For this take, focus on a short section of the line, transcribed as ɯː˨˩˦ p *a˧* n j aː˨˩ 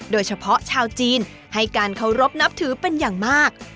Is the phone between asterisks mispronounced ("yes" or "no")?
yes